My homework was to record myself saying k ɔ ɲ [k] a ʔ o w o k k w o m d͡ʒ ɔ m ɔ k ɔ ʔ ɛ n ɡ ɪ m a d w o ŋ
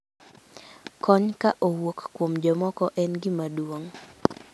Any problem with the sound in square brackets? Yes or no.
no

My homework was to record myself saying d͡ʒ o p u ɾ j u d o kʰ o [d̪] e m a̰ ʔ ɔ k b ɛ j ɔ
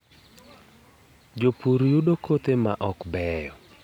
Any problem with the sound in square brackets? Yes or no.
yes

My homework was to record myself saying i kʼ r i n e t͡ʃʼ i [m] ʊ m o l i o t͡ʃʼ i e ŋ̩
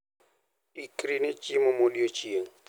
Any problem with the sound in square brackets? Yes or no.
no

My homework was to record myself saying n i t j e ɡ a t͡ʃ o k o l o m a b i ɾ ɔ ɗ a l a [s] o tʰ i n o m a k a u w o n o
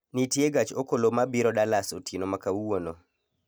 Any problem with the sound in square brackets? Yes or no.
no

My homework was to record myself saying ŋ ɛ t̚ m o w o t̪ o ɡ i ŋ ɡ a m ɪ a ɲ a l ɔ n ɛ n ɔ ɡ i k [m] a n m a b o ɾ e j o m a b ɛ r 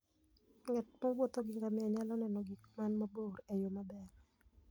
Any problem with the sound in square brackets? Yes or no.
no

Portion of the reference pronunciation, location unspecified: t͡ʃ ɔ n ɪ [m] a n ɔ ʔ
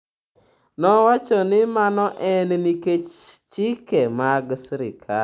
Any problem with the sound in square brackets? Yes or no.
no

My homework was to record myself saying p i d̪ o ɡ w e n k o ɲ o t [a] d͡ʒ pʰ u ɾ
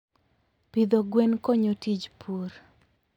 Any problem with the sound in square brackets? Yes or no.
yes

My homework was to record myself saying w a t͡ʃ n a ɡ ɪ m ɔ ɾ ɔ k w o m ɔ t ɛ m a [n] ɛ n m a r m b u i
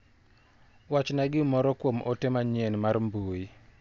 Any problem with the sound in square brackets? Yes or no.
yes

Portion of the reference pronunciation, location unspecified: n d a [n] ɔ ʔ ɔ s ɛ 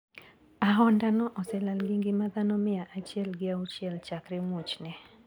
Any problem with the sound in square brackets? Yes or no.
no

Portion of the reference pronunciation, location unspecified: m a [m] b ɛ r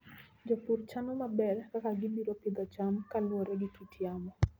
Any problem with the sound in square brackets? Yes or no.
yes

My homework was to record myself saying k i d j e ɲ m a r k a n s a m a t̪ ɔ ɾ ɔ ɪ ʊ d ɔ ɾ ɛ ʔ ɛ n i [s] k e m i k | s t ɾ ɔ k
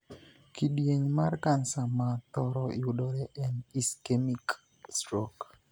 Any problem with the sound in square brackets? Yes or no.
no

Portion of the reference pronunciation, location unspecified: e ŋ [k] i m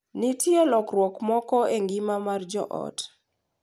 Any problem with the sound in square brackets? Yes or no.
yes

